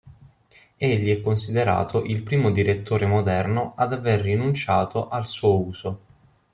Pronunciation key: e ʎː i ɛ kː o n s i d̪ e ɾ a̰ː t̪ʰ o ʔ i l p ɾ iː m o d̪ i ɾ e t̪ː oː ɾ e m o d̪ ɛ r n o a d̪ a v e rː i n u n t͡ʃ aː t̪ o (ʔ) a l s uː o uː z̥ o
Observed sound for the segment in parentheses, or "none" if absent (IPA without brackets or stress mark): ʔ